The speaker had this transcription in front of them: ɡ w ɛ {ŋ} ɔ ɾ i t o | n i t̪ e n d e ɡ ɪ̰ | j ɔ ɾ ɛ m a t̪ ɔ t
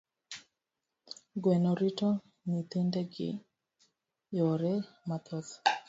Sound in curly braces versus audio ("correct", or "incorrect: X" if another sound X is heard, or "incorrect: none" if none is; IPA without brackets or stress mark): incorrect: n